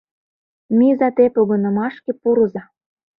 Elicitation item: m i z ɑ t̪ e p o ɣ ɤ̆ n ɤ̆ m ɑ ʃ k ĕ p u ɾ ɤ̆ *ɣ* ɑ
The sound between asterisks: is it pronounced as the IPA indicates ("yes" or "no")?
no